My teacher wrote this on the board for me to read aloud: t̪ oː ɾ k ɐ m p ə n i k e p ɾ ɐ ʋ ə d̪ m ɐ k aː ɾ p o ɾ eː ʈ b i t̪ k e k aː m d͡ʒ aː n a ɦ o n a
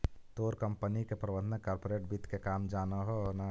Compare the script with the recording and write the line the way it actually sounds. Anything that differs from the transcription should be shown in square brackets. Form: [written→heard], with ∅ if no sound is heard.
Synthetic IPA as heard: t̪ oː ɾ k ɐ m p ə n i k e p ɾ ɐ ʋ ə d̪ [m→n] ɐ k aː ɾ p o ɾ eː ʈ b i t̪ k e k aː m d͡ʒ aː n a ɦ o n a